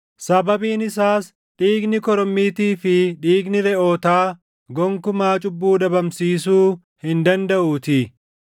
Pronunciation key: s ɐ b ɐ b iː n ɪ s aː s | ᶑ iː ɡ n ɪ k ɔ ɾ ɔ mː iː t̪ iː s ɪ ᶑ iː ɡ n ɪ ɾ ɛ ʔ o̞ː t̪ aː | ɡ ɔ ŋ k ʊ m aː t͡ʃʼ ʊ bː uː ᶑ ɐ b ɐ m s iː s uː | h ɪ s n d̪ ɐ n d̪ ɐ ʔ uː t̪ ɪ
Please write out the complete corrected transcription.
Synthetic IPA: s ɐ b ɐ b iː n ɪ s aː s | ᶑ iː ɡ n ɪ k ɔ ɾ ɔ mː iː t̪ iː f ɪ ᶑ iː ɡ n ɪ ɾ ɛ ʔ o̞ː t̪ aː | ɡ ɔ ŋ k ʊ m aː t͡ʃʼ ʊ bː uː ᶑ ɐ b ɐ m s iː s uː | h ɪ n d̪ ɐ n d̪ ɐ ʔ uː t̪ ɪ